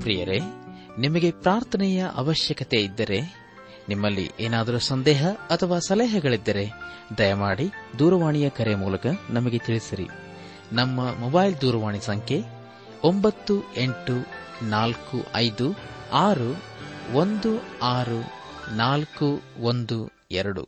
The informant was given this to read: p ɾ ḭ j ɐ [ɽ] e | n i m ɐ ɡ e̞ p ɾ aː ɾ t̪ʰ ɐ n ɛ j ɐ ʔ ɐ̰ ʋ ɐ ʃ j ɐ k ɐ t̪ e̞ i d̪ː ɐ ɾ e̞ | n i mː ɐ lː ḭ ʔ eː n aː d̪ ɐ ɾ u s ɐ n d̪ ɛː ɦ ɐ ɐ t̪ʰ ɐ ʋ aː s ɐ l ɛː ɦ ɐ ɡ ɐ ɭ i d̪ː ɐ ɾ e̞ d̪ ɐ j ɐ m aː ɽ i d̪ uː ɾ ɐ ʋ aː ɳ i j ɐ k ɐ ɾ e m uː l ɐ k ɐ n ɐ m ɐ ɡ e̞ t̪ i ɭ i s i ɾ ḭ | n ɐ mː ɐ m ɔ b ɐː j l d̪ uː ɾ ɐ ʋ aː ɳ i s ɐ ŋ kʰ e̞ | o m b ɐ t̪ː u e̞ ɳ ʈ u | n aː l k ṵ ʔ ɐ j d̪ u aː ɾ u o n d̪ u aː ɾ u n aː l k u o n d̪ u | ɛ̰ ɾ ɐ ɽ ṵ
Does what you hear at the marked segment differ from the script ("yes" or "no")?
yes